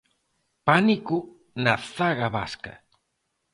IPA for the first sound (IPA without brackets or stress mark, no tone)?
p